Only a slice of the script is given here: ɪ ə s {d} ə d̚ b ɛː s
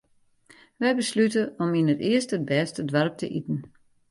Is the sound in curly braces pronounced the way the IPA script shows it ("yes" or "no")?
no